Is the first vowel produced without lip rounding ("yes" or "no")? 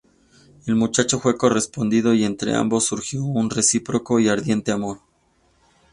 yes